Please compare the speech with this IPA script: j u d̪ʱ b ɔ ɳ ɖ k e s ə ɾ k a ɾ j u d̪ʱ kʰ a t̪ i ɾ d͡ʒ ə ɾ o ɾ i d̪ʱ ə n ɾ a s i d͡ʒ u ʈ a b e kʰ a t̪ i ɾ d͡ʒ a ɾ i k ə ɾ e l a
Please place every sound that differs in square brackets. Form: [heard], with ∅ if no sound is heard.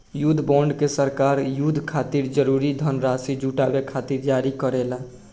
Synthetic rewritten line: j u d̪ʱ b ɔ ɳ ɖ k e s ə ɾ k a ɾ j u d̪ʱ kʰ a t̪ i ɾ d͡ʒ ə ɾ [u] ɾ i d̪ʱ ə n ɾ a s i d͡ʒ u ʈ a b e kʰ a t̪ i ɾ d͡ʒ a ɾ i k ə ɾ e l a